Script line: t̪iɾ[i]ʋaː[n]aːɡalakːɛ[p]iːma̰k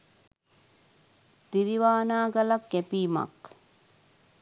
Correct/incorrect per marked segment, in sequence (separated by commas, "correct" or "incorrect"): correct, correct, correct